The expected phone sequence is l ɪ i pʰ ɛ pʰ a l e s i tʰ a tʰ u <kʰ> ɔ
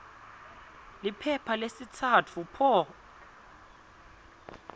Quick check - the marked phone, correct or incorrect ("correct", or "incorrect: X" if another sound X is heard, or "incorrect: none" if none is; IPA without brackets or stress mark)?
incorrect: pʰ